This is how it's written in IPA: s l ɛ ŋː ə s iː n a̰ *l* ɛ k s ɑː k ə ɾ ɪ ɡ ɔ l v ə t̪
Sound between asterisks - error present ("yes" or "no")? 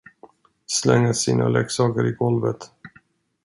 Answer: no